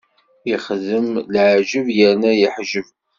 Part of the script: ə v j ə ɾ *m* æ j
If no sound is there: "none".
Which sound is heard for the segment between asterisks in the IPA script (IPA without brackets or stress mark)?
n